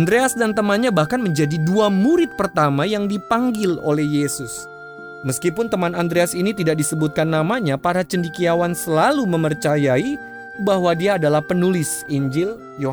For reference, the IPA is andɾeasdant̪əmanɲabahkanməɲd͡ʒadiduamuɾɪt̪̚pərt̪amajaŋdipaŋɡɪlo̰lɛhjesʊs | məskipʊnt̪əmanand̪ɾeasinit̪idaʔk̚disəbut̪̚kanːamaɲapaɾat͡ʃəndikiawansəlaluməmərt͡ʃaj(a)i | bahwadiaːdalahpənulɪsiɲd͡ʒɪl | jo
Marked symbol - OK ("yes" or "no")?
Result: yes